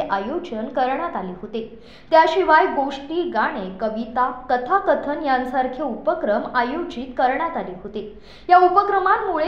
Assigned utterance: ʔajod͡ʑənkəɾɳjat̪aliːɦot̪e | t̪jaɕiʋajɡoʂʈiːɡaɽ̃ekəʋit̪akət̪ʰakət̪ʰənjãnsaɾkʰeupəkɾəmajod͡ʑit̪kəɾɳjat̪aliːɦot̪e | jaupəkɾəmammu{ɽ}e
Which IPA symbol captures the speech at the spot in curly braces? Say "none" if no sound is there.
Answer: ɭ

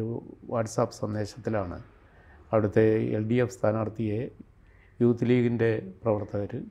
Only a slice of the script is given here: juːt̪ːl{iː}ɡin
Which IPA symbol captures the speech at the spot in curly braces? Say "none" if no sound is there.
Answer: iː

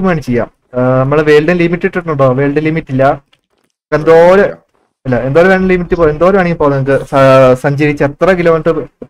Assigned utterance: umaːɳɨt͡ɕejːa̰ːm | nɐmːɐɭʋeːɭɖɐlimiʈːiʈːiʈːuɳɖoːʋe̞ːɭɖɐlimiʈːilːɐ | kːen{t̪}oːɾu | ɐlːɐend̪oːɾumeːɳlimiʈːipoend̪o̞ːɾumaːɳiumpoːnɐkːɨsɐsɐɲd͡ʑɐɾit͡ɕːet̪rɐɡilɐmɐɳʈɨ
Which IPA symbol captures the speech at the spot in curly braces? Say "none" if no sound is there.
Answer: d̪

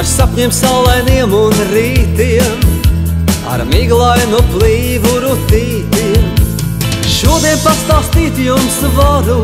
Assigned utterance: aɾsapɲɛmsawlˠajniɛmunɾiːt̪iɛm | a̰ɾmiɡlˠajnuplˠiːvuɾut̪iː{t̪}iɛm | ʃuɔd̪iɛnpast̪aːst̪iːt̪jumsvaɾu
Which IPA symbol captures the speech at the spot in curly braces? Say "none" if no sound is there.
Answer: t̪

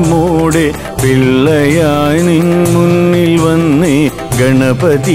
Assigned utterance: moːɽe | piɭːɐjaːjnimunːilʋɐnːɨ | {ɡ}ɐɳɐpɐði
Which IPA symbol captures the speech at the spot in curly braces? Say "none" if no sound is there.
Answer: ɡ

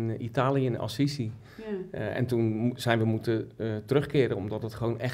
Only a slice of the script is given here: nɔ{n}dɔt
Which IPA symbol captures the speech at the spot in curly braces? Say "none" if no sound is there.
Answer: m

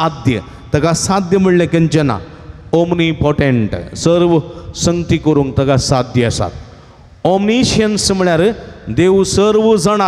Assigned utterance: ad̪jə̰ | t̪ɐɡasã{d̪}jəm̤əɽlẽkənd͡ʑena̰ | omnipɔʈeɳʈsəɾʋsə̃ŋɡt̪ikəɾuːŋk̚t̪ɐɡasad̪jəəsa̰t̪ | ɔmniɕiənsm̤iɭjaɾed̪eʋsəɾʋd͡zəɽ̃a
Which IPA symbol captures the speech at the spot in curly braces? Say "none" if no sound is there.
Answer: d̪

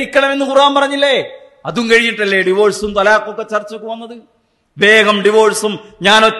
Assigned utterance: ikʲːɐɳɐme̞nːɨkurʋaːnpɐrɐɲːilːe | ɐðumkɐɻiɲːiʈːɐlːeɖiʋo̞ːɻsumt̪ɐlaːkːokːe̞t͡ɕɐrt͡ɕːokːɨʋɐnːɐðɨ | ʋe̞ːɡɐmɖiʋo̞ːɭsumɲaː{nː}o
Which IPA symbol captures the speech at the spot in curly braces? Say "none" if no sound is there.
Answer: n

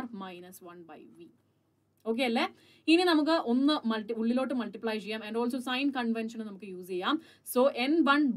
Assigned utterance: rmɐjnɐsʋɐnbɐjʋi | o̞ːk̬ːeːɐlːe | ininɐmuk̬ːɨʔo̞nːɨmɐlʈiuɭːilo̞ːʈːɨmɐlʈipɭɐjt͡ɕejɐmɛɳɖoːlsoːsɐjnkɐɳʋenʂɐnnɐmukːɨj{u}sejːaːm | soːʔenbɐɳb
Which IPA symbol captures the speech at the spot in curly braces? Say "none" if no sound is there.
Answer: uː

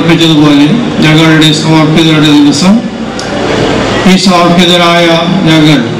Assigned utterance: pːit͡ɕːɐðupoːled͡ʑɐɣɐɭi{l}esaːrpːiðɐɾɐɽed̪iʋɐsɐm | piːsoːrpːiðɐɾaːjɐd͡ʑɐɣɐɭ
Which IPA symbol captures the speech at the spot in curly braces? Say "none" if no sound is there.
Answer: ɽ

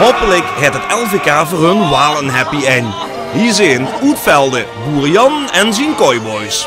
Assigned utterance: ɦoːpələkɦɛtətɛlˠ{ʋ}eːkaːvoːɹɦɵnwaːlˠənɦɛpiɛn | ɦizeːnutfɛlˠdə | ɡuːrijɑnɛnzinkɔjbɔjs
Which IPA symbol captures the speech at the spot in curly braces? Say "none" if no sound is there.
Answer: v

